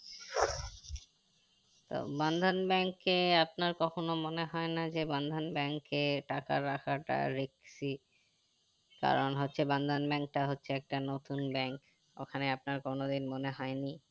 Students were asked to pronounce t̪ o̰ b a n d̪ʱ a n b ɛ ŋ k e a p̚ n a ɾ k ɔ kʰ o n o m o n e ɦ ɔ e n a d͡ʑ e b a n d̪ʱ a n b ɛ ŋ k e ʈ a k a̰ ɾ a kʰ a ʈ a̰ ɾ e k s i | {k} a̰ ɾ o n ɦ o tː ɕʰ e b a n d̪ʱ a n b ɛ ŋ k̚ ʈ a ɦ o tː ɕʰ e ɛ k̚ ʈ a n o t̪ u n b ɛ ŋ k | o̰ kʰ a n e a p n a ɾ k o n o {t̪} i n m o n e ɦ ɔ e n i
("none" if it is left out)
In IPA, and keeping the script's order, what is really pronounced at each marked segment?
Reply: k, d̪

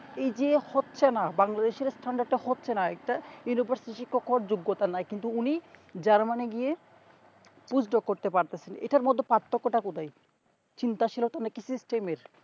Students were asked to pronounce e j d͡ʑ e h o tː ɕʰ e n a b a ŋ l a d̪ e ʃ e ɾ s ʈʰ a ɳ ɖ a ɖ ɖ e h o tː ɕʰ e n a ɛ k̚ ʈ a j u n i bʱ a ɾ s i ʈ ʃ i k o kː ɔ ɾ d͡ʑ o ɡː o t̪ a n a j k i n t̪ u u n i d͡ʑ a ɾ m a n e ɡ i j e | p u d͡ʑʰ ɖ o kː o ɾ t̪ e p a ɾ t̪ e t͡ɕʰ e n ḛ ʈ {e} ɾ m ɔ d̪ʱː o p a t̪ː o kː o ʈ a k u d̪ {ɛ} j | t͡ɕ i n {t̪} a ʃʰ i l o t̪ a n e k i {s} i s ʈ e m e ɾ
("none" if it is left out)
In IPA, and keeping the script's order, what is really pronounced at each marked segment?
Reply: a, a, t̪, s

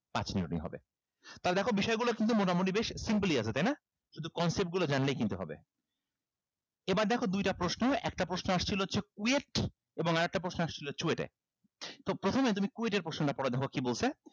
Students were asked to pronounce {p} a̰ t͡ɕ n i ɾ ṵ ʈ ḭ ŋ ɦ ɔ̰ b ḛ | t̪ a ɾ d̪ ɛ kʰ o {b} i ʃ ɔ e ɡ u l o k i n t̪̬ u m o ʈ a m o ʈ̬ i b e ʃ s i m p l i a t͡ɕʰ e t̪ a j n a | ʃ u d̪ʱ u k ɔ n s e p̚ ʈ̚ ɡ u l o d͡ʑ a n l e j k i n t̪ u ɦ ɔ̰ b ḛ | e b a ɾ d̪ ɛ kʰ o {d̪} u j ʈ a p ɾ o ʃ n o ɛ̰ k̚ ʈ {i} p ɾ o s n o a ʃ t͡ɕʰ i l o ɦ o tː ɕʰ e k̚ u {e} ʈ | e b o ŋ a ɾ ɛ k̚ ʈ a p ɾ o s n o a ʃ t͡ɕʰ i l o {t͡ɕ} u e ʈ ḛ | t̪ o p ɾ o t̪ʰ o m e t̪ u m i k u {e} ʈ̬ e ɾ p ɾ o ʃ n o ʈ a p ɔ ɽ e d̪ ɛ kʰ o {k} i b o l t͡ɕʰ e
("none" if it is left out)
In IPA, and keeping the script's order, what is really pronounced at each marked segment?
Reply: p, b, d̪, a, e, t͡ɕ, e, k

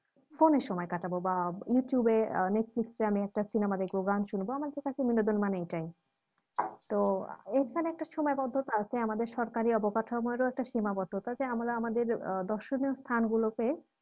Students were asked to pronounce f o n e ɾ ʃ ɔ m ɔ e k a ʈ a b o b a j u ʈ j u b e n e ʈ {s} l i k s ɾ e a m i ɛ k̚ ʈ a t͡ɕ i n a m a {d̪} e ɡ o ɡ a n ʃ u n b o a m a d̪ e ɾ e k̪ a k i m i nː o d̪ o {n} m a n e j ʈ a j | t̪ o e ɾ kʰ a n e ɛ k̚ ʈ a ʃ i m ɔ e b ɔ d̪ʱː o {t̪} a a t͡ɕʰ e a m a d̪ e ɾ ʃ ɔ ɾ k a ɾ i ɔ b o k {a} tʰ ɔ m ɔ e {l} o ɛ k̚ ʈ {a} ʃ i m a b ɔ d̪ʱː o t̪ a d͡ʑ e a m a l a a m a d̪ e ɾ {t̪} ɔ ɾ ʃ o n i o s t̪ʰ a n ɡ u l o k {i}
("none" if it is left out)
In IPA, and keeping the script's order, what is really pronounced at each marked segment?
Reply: f, d̪, n, t̪, a, ɾ, a, d̪, e

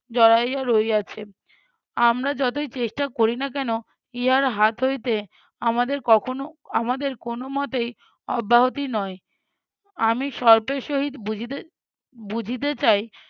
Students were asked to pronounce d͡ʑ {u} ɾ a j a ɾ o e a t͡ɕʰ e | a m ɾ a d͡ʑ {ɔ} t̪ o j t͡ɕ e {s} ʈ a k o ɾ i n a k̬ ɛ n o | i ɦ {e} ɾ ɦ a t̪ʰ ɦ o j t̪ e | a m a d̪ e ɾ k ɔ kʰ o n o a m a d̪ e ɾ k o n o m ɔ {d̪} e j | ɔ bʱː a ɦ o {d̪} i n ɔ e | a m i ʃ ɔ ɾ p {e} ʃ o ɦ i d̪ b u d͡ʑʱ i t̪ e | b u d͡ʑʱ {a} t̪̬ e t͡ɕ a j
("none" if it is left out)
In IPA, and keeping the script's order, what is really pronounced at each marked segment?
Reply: ɔ, ɔ, ʃ, a, t̪, t̪, e, i

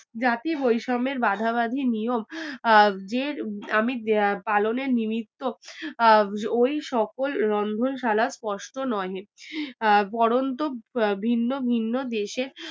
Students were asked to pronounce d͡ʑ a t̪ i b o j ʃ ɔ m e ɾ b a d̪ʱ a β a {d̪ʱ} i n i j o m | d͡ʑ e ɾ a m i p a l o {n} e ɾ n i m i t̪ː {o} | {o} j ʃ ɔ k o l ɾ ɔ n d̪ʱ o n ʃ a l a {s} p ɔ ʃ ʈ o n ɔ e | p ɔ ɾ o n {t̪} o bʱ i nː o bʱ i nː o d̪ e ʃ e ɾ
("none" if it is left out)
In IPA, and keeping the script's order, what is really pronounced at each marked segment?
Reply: d̪ʱ, n, o, o, s, t̪

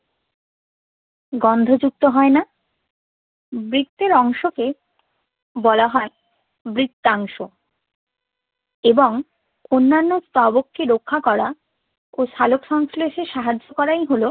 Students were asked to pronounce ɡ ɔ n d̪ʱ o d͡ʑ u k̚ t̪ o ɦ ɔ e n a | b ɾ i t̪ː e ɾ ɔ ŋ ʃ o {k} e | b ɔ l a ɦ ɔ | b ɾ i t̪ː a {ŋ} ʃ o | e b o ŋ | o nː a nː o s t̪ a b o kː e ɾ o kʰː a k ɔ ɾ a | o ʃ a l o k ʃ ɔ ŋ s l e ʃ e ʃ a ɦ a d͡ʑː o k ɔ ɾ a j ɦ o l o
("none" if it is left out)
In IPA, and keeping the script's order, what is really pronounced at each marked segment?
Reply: k, ŋ

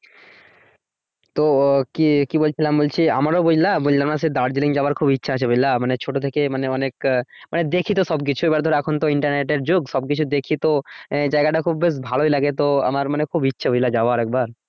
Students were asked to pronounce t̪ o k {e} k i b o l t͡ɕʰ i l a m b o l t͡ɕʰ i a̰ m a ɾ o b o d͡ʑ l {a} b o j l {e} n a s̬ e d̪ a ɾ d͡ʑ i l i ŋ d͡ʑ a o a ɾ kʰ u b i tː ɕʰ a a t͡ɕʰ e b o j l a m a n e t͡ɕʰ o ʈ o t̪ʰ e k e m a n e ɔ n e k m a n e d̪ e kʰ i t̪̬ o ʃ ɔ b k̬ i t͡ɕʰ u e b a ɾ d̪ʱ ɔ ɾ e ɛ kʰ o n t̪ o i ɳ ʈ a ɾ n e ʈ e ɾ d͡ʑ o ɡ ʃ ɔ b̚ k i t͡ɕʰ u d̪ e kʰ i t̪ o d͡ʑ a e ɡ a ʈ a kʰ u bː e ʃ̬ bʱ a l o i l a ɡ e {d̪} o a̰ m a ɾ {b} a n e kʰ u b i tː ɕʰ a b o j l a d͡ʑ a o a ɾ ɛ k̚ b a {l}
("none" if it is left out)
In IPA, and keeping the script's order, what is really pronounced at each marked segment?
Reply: i, a, a, t̪, m, ɾ

